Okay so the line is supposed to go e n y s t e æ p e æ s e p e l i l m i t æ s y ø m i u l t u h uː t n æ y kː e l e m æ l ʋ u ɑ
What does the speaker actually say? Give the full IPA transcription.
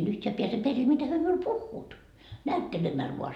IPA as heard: e n y h t e æ p i æ s e p e r i l m i t æ h y ø m i u l p u hː uː t n æ y tː e l e m æ l ʋ u ɑ